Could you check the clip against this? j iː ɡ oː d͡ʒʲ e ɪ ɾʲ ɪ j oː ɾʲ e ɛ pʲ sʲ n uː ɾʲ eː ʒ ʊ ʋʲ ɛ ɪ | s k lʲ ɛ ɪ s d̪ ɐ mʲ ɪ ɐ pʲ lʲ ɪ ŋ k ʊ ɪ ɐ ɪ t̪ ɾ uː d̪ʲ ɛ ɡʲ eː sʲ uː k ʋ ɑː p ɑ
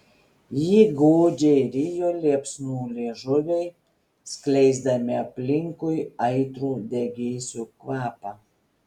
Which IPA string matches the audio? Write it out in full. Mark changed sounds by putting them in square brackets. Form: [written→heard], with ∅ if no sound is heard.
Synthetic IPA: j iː ɡ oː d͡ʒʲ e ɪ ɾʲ ɪ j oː [ɾʲ→lʲ] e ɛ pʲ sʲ n uː [ɾʲ→lʲ] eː ʒ ʊ ʋʲ ɛ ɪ | s k lʲ ɛ ɪ [s→z] d̪ ɐ mʲ ɪ ɐ pʲ lʲ ɪ ŋ k ʊ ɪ ɐ ɪ t̪ ɾ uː d̪ʲ ɛ ɡʲ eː sʲ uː k ʋ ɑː p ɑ